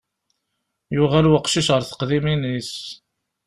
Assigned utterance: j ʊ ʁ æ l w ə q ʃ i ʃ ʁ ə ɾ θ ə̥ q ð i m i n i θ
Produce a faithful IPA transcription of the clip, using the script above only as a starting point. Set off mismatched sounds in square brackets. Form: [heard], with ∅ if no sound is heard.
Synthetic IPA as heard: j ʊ ʁ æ l w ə q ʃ i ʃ ʁ ə ɾ θ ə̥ q ð i m i n i [s]